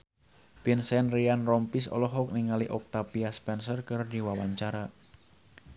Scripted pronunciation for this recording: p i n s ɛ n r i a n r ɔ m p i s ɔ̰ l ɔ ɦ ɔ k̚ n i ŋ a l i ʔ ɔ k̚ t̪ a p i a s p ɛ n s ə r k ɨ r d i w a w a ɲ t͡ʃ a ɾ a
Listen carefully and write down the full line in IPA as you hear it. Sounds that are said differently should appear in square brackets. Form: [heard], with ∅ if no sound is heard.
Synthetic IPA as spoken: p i n s ɛ n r i a n r ɔ m p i s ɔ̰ l ɔ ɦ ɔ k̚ n i ŋ a l i ʔ ɔ k̚ t̪ a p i a s p ɛ n s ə r k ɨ r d i w a w a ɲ t͡ʃ a ɾ a